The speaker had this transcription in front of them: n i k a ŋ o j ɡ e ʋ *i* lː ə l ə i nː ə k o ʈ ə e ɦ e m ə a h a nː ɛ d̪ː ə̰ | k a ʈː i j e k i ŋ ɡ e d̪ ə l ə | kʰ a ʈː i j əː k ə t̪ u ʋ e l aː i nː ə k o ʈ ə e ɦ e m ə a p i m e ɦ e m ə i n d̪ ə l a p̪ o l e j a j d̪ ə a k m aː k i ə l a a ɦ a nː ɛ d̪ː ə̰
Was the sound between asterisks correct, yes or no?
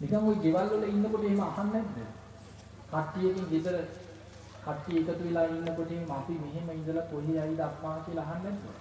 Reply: no